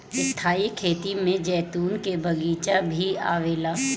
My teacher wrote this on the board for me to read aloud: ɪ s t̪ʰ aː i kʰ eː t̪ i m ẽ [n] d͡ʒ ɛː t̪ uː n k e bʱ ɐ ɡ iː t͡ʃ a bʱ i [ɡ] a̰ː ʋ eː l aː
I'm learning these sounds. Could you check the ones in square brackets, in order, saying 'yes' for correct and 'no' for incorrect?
no, no

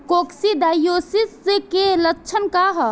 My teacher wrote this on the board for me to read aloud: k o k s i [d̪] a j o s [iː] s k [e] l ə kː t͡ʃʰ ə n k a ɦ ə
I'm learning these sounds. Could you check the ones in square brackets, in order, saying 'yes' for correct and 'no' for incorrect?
yes, no, yes

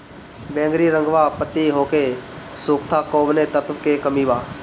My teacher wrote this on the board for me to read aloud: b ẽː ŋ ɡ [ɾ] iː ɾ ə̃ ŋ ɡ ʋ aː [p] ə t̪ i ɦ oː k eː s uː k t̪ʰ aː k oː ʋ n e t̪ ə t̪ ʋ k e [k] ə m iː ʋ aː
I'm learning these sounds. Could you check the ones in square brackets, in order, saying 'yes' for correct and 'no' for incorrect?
yes, yes, yes

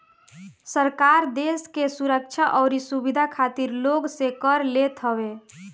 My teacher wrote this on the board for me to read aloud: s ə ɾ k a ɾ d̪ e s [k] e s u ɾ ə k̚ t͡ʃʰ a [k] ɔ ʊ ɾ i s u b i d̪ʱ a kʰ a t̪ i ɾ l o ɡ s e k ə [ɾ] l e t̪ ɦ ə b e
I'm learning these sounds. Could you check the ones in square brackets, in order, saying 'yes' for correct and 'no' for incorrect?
yes, no, yes

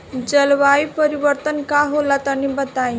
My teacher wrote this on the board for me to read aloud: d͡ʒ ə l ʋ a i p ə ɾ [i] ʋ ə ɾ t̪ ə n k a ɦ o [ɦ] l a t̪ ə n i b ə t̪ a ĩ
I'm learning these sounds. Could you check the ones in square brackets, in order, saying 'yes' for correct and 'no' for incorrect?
yes, no

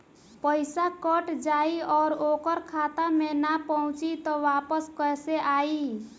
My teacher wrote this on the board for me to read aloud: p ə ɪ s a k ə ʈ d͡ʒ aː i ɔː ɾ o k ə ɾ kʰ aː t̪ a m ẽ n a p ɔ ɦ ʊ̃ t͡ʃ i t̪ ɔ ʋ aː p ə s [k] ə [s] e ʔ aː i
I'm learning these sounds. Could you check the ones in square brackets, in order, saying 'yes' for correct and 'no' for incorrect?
yes, yes

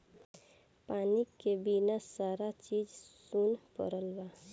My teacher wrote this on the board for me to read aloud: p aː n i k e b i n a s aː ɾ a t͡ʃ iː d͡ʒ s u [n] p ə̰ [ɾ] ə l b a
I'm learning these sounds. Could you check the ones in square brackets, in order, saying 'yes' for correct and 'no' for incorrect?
yes, yes

